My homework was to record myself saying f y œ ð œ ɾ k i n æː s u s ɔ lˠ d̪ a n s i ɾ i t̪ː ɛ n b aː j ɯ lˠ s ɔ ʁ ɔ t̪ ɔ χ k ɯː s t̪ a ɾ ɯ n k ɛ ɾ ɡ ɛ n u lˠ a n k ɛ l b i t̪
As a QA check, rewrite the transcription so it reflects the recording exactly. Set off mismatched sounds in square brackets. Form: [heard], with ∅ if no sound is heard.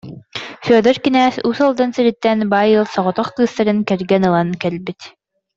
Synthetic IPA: f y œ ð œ ɾ k i n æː s u s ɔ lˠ d̪ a n s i ɾ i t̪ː ɛ n b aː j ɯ lˠ s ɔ ʁ ɔ t̪ ɔ χ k ɯː s t̪ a ɾ ɯ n k ɛ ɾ ɡ ɛ n [ɯ] lˠ a n k ɛ l b i t̪